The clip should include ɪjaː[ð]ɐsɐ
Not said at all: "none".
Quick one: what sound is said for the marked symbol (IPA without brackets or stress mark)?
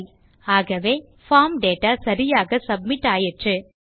ɣ